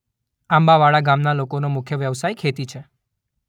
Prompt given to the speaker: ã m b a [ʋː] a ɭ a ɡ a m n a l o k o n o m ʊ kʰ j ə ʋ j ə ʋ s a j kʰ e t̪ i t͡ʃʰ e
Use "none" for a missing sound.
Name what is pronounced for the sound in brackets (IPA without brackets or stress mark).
ʋ